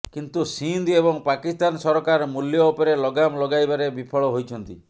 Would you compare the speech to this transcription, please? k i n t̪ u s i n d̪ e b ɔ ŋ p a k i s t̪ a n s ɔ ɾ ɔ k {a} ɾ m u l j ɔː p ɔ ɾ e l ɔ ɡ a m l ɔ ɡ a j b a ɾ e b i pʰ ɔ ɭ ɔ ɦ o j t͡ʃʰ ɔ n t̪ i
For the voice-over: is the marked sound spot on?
yes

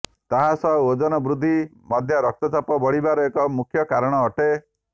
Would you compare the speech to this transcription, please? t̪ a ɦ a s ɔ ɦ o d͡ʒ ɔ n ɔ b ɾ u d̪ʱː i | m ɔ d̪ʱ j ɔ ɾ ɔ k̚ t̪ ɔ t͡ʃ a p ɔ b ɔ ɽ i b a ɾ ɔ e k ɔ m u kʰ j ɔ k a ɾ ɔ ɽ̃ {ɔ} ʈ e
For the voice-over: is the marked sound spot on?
no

